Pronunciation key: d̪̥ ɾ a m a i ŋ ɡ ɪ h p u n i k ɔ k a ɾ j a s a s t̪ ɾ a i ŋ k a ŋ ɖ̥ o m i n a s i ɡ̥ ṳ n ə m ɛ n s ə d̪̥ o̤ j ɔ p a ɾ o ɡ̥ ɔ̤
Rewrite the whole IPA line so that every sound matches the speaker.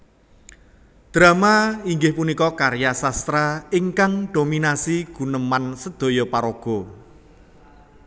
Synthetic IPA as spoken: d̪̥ ɾ a m a i ŋ ɡ ɪ h p u n i k ɔ k a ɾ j a s a s t̪ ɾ a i ŋ k a ŋ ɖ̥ o m i n a s i ɡ̥ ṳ n ə m a n s ə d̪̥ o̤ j ɔ p a ɾ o ɡ̥ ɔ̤